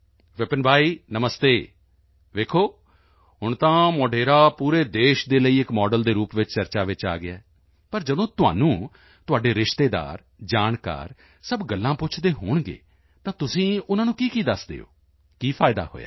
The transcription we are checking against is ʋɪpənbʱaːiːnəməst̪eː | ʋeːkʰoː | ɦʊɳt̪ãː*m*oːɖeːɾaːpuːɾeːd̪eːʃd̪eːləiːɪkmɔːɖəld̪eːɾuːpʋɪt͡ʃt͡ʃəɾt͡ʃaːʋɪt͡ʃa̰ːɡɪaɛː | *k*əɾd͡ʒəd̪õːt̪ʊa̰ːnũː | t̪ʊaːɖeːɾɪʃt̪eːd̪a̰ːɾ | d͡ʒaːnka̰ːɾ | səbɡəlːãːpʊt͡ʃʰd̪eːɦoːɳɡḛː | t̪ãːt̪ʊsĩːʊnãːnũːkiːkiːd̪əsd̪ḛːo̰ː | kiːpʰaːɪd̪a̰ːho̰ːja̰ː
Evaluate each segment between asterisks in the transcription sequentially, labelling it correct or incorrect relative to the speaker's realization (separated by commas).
correct, incorrect